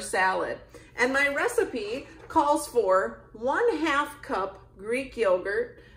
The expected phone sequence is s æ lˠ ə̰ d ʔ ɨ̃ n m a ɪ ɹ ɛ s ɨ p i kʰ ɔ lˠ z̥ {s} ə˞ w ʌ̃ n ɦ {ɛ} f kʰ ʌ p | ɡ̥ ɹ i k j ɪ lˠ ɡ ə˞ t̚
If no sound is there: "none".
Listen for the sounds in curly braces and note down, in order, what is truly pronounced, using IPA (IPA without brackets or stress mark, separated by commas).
f, æ